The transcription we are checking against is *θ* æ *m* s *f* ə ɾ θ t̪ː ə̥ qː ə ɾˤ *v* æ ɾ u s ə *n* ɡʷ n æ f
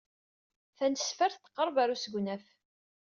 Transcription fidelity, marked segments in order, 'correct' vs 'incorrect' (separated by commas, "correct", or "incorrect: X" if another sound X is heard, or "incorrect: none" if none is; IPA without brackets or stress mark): correct, incorrect: n, correct, correct, incorrect: none